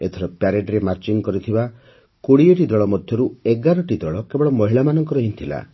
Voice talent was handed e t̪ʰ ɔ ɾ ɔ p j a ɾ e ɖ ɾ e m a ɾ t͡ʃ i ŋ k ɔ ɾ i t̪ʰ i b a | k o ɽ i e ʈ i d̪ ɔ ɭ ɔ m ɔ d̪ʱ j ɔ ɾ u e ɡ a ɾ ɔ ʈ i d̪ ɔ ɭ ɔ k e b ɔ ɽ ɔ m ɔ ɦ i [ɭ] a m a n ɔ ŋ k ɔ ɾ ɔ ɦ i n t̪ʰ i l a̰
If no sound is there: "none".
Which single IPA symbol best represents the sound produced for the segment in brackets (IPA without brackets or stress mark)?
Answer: ɭ